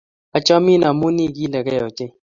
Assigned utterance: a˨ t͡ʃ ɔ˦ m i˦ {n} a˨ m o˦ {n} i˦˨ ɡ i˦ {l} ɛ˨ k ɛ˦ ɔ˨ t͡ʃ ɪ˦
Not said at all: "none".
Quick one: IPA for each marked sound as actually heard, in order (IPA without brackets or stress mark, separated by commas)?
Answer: n, n, l